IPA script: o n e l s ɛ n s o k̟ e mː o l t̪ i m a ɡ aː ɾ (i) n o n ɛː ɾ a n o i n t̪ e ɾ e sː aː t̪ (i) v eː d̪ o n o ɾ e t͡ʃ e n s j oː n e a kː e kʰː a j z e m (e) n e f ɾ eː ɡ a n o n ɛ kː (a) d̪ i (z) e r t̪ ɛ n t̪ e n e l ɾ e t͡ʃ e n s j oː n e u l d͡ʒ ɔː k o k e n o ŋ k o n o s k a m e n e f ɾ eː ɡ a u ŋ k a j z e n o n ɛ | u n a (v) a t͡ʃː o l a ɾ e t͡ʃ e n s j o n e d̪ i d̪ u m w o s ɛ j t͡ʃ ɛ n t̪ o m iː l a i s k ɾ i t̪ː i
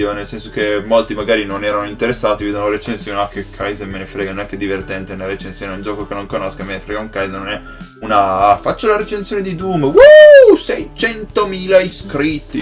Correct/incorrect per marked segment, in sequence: correct, correct, correct, incorrect: e, incorrect: v, incorrect: f

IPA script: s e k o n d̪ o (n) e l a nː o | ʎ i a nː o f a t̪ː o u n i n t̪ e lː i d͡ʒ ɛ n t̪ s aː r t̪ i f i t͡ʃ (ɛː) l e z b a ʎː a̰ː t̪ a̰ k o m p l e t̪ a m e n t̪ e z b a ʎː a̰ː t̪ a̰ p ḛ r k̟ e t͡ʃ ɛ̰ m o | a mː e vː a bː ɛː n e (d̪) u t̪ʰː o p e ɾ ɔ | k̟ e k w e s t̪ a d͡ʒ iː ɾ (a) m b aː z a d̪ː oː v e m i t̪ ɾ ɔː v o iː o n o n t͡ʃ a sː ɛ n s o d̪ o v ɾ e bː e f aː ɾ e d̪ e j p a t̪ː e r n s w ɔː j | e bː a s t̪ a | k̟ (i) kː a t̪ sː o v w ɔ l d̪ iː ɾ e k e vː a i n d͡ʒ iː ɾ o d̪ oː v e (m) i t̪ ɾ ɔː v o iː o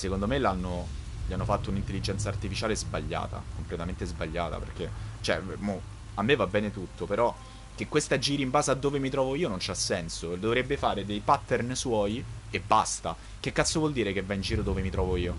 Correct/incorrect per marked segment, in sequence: incorrect: m, incorrect: aː, incorrect: t̪, incorrect: i, incorrect: e, correct

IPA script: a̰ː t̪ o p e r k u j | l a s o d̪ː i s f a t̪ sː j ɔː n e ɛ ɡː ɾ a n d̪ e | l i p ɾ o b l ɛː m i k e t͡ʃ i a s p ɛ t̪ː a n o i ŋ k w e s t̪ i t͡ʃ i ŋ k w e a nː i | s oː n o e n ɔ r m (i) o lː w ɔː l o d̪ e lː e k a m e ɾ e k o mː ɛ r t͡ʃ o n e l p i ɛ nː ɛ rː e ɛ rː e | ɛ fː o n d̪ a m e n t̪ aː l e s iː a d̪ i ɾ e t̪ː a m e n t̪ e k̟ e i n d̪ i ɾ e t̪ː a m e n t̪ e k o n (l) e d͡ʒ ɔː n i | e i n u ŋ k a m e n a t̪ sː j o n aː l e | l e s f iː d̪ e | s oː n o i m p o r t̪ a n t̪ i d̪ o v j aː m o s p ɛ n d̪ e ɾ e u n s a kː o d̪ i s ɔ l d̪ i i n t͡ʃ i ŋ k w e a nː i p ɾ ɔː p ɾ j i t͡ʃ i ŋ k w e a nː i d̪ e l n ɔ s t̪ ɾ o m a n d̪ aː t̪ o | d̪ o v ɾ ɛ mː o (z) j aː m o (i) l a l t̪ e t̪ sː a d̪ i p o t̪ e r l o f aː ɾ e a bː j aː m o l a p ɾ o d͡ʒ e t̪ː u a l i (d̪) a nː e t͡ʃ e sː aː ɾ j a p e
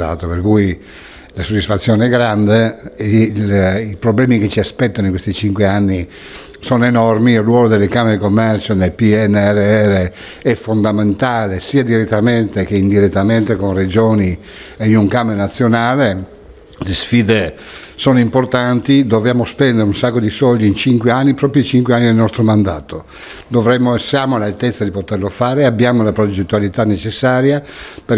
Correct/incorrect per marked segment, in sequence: correct, incorrect: r, incorrect: s, incorrect: a, incorrect: t̪

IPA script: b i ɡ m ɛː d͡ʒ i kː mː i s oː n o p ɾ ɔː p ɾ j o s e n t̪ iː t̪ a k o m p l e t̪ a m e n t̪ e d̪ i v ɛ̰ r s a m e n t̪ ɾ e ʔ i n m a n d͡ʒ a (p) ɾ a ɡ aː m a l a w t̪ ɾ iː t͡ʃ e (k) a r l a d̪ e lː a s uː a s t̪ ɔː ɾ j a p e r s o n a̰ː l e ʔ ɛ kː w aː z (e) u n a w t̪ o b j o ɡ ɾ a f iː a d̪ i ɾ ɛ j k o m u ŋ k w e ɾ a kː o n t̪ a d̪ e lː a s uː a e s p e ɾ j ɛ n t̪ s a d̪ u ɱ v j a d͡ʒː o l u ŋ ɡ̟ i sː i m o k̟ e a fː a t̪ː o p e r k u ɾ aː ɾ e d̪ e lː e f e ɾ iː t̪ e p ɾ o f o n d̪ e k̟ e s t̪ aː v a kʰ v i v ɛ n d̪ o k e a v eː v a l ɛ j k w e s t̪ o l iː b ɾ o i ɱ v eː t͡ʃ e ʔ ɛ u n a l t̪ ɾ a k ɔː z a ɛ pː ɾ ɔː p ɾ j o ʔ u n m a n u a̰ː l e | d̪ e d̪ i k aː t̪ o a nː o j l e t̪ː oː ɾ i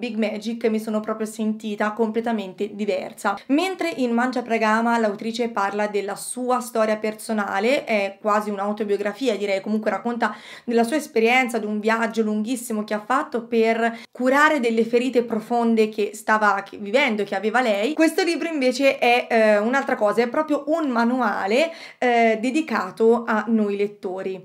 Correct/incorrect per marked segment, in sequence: correct, incorrect: p, incorrect: i

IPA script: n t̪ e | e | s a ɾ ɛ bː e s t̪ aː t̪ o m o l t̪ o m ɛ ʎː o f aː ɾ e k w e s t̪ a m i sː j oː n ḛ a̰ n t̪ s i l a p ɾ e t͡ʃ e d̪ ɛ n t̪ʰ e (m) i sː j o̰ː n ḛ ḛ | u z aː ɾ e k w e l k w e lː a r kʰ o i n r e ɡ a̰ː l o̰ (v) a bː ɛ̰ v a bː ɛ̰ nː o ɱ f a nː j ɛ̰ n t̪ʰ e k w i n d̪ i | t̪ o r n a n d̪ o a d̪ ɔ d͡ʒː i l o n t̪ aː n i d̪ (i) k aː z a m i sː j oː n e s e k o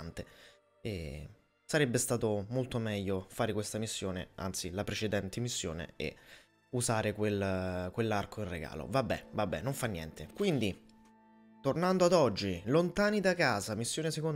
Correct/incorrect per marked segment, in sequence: correct, correct, incorrect: a

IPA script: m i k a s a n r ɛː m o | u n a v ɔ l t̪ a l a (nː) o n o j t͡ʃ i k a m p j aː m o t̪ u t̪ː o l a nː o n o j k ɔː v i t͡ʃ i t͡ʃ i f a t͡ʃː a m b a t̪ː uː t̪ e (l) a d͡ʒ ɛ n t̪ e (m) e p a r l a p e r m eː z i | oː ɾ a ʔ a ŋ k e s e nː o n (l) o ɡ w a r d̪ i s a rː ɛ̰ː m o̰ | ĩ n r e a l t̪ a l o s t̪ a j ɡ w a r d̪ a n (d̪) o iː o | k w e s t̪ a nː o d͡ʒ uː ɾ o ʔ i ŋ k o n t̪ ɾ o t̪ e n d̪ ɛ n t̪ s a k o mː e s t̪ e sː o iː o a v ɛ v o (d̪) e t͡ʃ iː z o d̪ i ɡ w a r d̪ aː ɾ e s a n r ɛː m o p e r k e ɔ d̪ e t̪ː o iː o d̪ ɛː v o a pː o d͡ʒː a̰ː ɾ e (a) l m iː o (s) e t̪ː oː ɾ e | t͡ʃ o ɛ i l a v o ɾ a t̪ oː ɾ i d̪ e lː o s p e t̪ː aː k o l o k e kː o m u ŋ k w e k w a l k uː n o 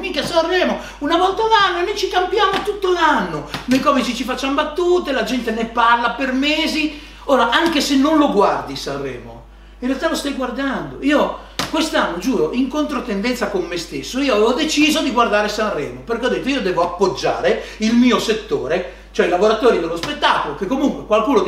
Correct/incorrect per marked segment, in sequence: correct, correct, incorrect: n, correct, correct, correct, incorrect: i, correct

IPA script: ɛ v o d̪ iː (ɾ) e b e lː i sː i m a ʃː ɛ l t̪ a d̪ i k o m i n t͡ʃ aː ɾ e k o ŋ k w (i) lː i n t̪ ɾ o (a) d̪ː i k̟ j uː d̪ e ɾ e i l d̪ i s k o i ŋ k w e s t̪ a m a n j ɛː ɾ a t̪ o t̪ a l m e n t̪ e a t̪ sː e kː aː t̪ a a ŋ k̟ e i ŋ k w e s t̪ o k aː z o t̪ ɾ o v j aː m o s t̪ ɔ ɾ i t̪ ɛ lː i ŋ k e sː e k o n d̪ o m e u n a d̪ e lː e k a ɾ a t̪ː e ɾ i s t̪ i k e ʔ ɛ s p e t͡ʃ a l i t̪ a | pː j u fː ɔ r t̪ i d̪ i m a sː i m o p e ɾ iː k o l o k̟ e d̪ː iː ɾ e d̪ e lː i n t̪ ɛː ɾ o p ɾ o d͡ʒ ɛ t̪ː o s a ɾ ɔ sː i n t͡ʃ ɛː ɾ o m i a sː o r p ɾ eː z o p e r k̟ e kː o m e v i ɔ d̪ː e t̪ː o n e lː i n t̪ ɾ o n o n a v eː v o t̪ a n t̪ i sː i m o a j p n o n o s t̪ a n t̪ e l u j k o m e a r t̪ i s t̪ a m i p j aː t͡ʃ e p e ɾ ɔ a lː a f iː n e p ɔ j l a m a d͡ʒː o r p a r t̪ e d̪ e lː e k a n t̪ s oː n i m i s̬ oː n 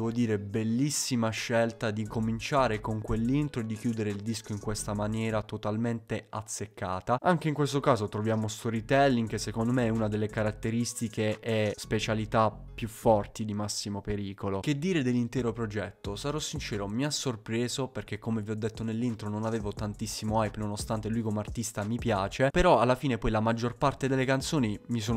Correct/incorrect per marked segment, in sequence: correct, incorrect: e, incorrect: e

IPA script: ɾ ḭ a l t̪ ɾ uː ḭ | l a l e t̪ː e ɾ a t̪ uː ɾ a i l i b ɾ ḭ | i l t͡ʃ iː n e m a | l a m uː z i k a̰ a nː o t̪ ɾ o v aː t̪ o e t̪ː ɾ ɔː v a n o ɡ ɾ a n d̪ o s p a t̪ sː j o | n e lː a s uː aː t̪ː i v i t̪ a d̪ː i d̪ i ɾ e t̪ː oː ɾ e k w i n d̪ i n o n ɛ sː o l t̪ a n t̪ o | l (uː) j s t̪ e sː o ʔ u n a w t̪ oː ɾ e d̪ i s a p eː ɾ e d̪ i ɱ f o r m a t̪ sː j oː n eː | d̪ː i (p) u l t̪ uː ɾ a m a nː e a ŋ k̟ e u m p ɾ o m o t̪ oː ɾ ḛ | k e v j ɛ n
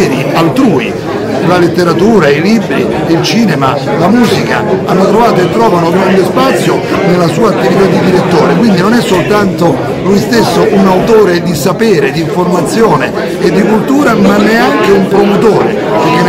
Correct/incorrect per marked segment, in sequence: incorrect: u, incorrect: k

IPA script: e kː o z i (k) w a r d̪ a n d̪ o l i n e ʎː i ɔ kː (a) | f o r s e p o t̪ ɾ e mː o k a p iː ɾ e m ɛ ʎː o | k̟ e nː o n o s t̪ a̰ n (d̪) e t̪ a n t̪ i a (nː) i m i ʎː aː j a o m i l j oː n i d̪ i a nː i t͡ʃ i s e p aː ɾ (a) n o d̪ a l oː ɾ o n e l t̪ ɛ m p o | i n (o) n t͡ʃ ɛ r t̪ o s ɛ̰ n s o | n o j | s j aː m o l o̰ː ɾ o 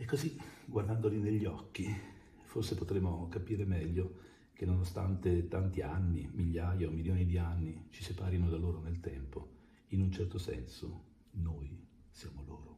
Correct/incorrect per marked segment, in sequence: incorrect: ɡ, incorrect: i, incorrect: t̪, correct, incorrect: i, incorrect: u

